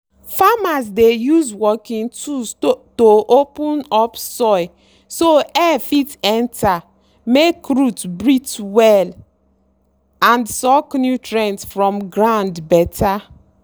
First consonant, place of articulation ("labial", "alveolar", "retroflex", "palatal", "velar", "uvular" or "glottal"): labial